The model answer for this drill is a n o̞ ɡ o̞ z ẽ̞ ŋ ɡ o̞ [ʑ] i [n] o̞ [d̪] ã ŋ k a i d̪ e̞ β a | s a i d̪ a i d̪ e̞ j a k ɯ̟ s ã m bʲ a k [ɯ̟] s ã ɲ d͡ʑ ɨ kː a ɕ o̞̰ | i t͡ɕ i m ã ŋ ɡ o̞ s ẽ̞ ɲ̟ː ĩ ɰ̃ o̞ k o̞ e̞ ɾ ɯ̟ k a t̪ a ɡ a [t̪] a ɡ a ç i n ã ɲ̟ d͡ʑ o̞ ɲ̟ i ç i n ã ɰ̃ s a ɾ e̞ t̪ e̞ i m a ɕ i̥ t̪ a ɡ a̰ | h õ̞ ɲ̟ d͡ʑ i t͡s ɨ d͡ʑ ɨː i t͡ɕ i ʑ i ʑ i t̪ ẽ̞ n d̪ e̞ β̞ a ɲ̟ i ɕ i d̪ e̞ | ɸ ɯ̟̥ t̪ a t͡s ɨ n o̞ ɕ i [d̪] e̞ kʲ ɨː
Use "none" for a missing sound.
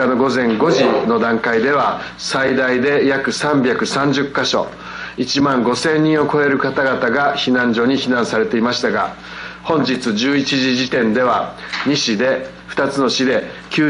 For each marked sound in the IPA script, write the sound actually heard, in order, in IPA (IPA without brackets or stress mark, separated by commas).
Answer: ʑ, n, d̪, ɯ̟, t̪, d̪